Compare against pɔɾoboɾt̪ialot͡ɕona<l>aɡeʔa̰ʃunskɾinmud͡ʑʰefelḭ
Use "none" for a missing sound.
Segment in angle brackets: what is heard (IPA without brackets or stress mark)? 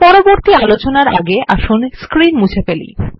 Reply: ɾ